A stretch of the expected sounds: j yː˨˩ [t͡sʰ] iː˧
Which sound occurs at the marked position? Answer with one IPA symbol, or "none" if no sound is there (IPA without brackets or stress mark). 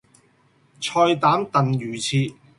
t͡sʰ